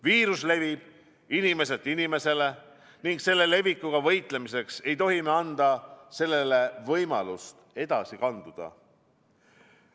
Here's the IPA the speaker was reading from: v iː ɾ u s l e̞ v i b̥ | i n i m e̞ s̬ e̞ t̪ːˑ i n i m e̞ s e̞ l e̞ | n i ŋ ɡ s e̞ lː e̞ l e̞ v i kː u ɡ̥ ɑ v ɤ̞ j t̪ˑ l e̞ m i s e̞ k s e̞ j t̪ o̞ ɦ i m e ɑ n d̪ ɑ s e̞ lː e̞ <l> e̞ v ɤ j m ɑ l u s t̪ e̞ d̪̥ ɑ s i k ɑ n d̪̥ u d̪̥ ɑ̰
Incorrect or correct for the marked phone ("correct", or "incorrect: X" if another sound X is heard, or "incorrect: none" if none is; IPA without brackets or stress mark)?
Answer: correct